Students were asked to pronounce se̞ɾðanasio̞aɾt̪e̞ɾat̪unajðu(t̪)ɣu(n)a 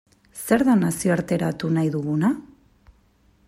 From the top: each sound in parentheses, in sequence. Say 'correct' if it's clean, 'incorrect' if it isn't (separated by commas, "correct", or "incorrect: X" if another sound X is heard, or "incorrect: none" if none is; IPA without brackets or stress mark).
incorrect: none, correct